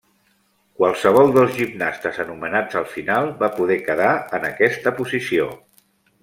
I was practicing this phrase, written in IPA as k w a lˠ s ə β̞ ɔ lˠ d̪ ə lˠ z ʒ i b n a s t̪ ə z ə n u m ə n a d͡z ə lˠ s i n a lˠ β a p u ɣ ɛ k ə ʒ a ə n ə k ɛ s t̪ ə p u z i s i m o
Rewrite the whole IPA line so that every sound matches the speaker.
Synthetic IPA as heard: k w a lˠ s ə β̞ ɔ lˠ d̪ ə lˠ z ʒ i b n a s t̪ ə z ə n u m ə n a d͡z ə lˠ f i n a lˠ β a p u ð ɛ k ə ð a ə n ə k ɛ s t̪ ə p u z i s i o